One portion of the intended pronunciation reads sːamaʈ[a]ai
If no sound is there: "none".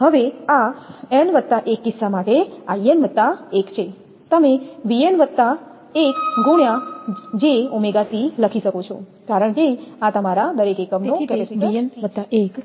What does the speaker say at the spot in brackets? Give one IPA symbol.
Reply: e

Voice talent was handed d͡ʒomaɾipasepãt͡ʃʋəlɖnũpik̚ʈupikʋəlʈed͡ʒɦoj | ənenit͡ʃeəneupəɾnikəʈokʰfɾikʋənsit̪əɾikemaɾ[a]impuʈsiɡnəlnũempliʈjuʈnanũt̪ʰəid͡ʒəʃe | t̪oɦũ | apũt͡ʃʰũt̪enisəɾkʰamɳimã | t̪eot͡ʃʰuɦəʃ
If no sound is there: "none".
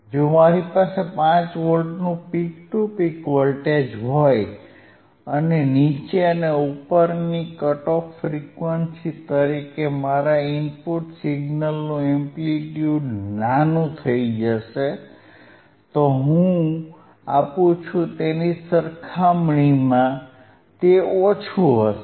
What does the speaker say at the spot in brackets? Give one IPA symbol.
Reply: a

